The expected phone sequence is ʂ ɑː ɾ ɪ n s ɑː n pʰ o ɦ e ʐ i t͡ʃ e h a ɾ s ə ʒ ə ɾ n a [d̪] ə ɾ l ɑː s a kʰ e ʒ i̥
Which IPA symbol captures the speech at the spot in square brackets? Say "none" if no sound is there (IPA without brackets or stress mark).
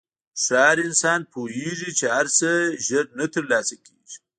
t̪